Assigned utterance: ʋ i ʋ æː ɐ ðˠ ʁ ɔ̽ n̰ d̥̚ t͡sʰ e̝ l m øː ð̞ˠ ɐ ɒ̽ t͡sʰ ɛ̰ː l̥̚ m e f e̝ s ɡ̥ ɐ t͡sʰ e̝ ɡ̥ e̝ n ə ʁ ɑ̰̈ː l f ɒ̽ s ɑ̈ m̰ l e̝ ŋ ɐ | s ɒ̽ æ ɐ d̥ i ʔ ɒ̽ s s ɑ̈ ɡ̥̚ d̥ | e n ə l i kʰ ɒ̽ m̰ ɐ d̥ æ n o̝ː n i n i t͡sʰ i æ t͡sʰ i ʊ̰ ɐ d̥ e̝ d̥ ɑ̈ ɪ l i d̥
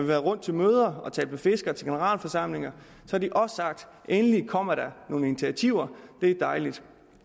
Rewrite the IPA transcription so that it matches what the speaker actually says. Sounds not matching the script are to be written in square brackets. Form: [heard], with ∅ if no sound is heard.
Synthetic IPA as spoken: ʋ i ʋ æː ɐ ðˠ ʁ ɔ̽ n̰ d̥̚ t͡sʰ e̝ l m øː ð̞ˠ ɐ ɒ̽ t͡sʰ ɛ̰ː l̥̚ m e f e̝ s ɡ̥ ɐ t͡sʰ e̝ ɡ̥ e̝ n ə ʁ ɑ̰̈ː l f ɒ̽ s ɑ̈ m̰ l e̝ ŋ ɐ | s ɒ̽ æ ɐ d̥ i ʔ ɒ̽ s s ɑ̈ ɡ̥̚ d̥ | e n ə l i kʰ ɒ̽ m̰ ɐ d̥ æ n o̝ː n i n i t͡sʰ i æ t͡sʰ i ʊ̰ ɐ d̥ e̝ d̥ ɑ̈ ɪ l i d̥